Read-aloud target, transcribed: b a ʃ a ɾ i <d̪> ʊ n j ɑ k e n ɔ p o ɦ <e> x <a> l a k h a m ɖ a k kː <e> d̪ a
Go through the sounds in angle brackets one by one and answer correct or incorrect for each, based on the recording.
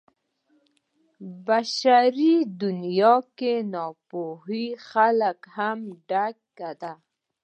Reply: correct, incorrect: i, correct, incorrect: a

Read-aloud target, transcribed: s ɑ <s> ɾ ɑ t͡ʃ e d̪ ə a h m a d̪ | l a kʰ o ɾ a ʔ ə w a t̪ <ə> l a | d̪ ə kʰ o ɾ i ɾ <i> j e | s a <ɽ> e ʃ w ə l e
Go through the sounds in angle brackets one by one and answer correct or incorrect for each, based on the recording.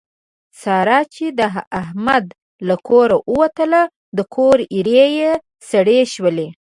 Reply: incorrect: none, correct, incorrect: e, correct

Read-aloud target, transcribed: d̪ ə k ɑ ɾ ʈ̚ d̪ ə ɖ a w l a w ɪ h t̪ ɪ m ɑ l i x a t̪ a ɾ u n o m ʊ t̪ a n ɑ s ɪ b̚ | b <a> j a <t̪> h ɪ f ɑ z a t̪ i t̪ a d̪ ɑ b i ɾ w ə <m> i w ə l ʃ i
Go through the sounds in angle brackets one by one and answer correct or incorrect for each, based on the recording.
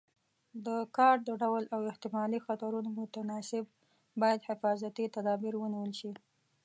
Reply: incorrect: ɑ, incorrect: d̪, incorrect: n

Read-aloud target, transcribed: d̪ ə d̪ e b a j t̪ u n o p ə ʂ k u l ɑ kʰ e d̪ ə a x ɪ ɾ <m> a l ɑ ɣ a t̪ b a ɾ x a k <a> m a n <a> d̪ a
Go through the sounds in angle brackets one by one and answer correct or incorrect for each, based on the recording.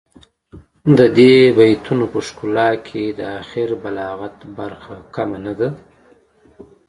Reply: incorrect: b, correct, correct

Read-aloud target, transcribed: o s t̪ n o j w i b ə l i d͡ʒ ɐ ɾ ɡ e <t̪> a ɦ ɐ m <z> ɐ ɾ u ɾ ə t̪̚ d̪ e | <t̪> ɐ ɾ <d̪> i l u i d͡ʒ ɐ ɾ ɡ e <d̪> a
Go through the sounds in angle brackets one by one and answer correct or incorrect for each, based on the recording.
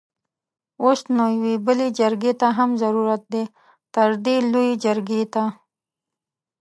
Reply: correct, correct, correct, correct, incorrect: t̪

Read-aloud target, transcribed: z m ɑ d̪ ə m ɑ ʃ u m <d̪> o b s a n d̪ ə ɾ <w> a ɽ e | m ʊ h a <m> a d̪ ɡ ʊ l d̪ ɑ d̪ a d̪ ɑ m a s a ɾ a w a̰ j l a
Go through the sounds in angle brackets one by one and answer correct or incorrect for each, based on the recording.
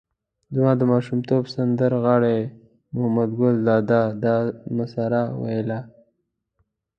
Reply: incorrect: t̪, incorrect: ɣ, correct

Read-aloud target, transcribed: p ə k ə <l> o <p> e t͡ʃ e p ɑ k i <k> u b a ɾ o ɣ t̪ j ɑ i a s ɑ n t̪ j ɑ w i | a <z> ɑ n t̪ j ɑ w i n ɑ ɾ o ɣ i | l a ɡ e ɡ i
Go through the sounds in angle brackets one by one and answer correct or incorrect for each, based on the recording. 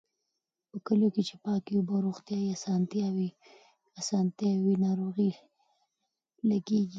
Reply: correct, incorrect: k, incorrect: none, incorrect: s

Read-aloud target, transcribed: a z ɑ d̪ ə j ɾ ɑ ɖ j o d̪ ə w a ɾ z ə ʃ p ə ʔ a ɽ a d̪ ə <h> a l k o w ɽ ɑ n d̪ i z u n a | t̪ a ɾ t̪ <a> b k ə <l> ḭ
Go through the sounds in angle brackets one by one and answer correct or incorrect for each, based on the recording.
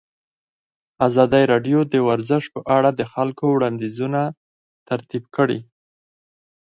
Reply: incorrect: x, incorrect: i, incorrect: ɽ

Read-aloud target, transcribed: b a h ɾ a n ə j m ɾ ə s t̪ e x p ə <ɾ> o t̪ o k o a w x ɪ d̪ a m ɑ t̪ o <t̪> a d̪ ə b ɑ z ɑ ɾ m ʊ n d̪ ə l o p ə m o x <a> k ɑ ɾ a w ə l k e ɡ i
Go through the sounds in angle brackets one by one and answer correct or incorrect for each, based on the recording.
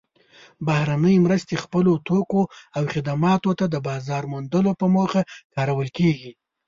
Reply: incorrect: l, correct, correct

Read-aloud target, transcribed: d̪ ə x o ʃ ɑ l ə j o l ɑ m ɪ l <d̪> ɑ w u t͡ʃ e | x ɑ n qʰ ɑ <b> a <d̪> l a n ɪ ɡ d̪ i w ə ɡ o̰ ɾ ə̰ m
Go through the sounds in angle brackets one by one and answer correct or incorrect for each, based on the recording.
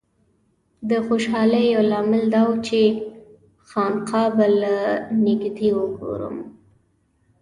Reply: correct, correct, incorrect: none

